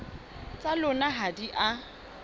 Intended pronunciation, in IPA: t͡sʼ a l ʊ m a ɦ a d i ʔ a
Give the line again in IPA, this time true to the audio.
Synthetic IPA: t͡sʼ a l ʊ n a ɦ a d i ʔ a